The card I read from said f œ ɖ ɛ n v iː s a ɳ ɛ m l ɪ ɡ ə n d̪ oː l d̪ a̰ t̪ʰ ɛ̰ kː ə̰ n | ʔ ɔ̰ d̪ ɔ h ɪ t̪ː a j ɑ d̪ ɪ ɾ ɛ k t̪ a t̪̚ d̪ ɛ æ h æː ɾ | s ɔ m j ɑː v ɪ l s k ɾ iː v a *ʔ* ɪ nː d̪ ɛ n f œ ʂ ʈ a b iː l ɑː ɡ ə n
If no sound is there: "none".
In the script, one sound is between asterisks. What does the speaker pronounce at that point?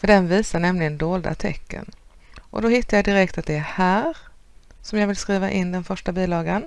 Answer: ʔ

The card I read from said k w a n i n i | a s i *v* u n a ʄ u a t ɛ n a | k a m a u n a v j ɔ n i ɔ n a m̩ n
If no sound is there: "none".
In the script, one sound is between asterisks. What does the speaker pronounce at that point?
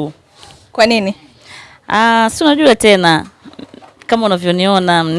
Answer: none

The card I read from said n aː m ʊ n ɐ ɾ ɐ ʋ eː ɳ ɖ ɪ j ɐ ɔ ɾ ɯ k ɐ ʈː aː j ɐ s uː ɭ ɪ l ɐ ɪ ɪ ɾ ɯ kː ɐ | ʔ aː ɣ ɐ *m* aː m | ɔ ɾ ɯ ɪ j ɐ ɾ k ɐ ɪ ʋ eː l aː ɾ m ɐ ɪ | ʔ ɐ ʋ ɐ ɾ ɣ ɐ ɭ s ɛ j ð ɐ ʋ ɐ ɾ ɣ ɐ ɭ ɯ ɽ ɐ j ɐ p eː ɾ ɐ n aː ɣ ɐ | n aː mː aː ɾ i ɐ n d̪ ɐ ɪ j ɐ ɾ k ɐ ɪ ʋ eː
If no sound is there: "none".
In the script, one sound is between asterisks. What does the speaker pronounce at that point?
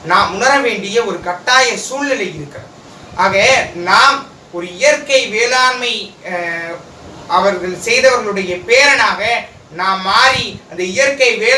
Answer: n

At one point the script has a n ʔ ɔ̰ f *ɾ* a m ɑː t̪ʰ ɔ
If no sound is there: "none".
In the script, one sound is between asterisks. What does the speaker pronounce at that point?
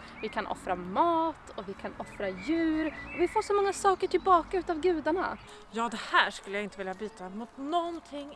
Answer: ɾ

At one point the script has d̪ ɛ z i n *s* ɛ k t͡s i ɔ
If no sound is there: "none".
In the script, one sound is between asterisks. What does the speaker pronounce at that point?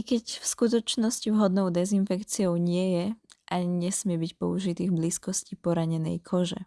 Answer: f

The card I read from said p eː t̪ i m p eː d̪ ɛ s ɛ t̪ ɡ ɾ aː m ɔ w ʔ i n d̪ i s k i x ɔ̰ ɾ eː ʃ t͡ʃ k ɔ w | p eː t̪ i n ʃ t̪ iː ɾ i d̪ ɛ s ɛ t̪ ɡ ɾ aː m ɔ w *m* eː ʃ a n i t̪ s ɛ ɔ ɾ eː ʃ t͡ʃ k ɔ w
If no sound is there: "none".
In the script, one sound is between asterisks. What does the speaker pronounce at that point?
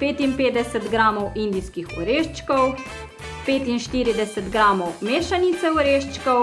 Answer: m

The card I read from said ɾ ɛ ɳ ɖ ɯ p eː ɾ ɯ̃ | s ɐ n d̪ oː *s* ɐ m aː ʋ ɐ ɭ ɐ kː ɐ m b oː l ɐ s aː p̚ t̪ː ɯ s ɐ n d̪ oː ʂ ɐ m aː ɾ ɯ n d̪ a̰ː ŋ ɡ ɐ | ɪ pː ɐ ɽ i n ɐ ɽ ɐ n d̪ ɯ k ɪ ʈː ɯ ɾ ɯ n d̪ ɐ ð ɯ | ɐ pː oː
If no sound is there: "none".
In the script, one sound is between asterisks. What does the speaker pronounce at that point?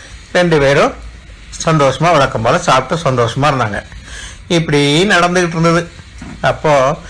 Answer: ʂ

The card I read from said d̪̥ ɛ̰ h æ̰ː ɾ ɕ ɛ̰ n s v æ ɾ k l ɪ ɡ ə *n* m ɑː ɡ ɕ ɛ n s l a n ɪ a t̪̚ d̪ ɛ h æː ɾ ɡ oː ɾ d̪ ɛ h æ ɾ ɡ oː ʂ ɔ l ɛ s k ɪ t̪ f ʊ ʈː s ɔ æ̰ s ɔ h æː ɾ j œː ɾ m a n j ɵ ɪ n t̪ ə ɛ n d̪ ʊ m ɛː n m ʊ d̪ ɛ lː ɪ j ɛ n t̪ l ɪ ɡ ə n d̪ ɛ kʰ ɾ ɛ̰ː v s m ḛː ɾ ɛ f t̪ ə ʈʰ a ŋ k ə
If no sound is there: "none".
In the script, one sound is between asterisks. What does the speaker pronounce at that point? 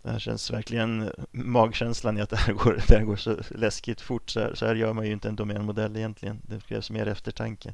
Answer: n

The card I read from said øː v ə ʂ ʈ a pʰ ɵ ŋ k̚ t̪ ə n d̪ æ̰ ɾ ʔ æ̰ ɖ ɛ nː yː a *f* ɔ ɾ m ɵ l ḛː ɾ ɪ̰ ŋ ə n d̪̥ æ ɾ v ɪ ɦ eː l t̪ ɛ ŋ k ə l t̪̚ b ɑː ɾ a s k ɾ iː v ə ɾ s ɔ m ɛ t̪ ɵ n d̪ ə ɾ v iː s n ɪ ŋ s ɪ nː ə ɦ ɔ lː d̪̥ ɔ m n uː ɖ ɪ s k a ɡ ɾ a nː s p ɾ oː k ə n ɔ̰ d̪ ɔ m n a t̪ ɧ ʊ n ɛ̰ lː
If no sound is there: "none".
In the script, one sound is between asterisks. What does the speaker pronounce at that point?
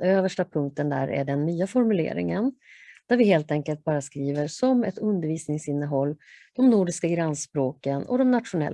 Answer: f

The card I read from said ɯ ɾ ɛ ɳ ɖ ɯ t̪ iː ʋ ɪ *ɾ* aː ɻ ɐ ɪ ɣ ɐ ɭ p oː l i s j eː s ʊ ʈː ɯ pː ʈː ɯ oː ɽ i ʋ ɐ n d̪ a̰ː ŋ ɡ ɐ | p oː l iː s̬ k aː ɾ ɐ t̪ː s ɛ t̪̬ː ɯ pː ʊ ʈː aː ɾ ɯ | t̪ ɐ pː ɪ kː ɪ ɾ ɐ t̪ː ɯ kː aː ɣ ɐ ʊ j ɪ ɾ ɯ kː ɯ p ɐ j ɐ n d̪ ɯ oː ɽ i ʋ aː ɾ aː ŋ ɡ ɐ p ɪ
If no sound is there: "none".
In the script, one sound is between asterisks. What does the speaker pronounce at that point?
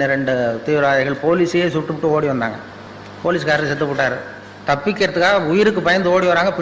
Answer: ɾ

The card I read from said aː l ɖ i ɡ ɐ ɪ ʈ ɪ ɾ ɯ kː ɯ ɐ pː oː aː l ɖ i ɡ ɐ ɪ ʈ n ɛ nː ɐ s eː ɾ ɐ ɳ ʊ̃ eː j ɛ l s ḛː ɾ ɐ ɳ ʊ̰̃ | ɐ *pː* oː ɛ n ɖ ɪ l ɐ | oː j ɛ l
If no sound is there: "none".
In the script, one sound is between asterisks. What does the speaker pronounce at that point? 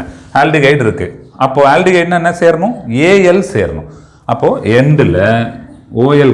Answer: pː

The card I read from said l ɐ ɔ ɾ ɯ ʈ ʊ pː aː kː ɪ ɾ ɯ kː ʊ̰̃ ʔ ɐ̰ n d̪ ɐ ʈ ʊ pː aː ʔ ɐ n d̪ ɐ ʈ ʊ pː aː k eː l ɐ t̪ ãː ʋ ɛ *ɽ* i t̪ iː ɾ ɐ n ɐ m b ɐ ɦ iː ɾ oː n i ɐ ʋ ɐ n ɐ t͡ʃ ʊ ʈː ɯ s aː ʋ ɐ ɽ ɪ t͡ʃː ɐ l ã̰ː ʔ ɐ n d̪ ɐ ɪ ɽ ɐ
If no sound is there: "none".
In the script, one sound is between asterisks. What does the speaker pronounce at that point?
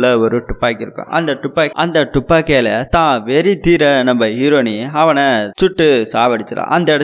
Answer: ɾ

